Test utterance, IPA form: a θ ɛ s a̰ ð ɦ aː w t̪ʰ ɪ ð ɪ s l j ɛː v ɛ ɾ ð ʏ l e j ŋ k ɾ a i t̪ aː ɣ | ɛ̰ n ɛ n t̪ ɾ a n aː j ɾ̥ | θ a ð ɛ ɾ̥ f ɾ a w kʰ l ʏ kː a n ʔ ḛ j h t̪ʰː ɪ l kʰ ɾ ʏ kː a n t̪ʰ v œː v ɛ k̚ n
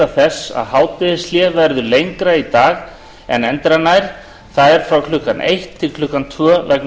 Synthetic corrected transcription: a θ ɛ s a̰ ð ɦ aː w t̪ ɪ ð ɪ s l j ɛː v ɛ ɾ ð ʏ l e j ŋ k ɾ a i t̪ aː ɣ | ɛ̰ n ɛ n t̪ ɾ a n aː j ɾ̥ | θ a ð ɛ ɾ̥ f ɾ a w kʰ l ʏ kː a n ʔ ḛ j h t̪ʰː ɪ l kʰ l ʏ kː a n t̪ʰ v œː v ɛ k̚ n